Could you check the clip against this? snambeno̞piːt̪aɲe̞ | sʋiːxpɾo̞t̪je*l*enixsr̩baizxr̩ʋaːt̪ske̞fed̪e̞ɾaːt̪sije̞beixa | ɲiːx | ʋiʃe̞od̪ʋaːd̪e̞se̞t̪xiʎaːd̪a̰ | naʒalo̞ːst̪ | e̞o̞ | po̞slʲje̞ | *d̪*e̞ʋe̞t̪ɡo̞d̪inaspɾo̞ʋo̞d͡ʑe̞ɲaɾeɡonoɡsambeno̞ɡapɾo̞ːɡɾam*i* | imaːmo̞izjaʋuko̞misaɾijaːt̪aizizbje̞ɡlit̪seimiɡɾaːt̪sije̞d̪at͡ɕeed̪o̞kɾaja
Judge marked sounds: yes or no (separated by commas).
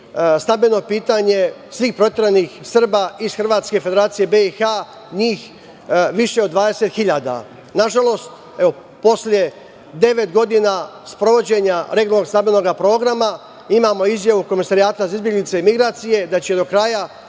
no, yes, no